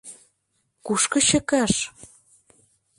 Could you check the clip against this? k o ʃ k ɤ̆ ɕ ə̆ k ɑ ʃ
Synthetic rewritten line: k u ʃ k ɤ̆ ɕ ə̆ k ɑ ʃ